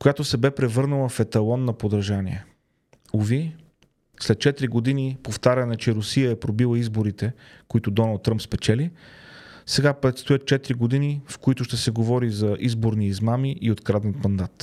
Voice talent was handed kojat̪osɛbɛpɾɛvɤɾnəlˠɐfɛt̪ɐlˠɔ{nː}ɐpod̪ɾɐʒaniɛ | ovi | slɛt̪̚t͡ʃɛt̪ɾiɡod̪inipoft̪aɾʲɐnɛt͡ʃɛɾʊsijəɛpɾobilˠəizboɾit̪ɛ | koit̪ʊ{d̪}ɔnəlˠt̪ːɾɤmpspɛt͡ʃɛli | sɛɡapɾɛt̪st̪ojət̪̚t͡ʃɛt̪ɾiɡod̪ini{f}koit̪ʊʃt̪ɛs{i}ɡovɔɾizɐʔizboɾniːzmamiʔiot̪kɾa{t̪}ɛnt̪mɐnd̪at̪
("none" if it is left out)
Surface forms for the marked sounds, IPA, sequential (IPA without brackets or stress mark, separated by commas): nː, d̪, f, ɛ, d̪